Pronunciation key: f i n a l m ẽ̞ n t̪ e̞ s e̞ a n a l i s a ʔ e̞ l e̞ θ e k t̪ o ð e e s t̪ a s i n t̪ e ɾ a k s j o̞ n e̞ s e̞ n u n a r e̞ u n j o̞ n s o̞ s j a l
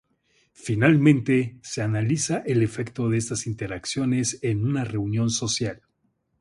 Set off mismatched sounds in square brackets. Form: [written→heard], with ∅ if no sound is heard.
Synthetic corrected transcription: f i n a l m ẽ̞ n t̪ e̞ s e̞ a n a l i s a ʔ e̞ l e̞ [θ→f] e k t̪ o ð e e s t̪ a s i n t̪ e ɾ a k s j o̞ n e̞ s e̞ n u n a r e̞ u n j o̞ n s o̞ s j a l